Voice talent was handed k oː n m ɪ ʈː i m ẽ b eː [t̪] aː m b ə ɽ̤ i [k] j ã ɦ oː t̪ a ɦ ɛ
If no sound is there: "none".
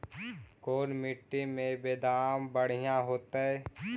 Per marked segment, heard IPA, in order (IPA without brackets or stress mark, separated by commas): d̪, none